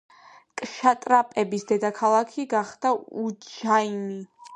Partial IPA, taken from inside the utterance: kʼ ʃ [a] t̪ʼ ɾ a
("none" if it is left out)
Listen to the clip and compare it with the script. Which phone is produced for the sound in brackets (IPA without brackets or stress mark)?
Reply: a